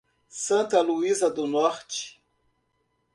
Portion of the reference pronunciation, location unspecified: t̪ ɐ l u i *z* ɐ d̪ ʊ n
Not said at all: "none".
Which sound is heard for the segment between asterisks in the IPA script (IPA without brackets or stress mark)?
z